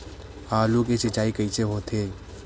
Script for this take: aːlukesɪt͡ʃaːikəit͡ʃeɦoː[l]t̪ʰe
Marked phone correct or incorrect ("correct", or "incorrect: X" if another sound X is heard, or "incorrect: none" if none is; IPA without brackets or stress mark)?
incorrect: none